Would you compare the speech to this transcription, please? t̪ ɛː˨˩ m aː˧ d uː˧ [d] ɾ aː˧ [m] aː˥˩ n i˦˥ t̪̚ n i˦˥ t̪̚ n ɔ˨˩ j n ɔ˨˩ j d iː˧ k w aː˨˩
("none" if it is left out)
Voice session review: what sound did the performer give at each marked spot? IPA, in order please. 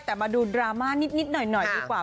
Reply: d, m

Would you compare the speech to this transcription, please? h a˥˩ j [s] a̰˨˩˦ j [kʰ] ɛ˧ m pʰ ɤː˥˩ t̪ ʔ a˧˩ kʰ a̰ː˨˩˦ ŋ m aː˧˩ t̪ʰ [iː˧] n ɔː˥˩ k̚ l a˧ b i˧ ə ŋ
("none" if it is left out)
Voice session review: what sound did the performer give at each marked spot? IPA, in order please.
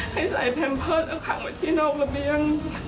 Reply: s, pʰ, iː˥˩

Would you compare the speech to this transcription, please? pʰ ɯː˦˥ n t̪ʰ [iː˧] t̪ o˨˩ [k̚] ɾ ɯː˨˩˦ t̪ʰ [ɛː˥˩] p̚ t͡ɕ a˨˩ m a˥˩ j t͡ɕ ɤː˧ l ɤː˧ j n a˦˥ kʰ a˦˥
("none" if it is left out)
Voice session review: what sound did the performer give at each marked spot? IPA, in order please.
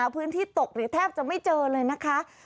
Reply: iː˥˩, k̚, ɛː˥˩

